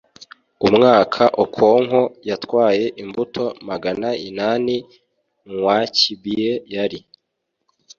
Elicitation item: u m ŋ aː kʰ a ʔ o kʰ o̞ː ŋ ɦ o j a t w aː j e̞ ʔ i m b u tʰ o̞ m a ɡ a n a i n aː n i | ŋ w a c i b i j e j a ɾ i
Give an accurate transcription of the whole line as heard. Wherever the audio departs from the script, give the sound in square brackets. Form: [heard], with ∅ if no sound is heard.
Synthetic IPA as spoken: u m ŋ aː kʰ a ʔ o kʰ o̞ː ŋ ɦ o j a t w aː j e̞ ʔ i m b u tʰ o̞ m a ɡ a n a i n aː n i | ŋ w a c i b i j e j a ɾ i